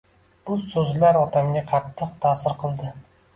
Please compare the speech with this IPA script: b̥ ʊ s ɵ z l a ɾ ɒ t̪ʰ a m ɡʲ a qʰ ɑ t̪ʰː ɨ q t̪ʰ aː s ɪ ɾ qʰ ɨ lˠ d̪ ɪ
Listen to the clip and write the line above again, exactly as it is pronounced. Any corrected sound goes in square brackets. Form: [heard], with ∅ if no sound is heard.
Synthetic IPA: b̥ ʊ s ɵ z l a ɾ ɒ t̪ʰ a m ɡʲ a qʰ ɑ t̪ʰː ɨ q t̪ʰ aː s ɪ ɾ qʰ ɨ lˠ d̪ ɪ